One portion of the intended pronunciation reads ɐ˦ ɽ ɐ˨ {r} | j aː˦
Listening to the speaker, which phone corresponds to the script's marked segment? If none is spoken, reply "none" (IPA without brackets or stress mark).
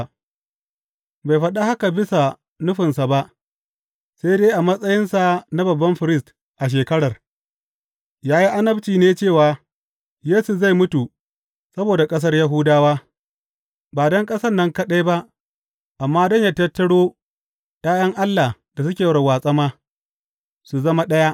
r